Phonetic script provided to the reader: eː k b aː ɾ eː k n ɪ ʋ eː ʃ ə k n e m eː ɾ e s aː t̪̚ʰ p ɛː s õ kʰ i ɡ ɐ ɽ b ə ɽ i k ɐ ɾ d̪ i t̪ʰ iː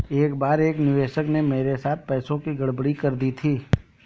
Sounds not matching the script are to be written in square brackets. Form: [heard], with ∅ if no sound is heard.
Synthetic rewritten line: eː k b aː ɾ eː k n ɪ ʋ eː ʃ ə k n e m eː ɾ e s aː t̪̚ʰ p ɛː s õ [k] i ɡ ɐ ɽ b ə ɽ i k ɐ ɾ d̪ i t̪ʰ iː